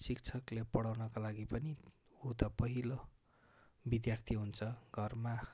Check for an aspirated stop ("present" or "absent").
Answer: present